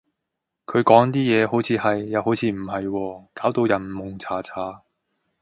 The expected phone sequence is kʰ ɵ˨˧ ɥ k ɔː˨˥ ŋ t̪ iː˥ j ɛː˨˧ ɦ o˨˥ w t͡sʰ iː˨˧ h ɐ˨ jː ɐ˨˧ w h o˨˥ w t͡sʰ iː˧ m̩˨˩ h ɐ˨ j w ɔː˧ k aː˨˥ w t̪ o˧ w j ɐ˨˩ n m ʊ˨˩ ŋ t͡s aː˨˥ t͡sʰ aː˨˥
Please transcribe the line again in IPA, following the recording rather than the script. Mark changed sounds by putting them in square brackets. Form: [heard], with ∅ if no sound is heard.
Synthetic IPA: kʰ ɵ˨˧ ɥ k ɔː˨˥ ŋ t̪ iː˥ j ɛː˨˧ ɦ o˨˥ w t͡sʰ iː˨˧ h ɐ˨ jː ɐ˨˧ w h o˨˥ w t͡sʰ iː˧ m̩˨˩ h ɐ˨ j w ɔː˧ k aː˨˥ w t̪ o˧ w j ɐ˨˩ n m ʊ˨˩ ŋ [t͡sʰ] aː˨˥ t͡sʰ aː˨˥